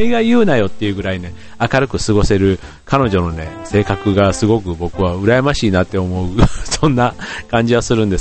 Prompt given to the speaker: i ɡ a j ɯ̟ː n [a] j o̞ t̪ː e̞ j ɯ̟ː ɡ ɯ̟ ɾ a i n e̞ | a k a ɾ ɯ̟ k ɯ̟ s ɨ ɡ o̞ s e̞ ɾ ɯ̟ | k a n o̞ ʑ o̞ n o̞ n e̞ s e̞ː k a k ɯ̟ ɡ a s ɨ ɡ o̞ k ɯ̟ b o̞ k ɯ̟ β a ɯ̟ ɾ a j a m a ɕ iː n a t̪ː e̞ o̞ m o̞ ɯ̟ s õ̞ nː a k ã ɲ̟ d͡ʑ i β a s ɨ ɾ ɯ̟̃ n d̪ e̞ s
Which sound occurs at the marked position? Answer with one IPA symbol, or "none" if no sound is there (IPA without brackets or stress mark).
a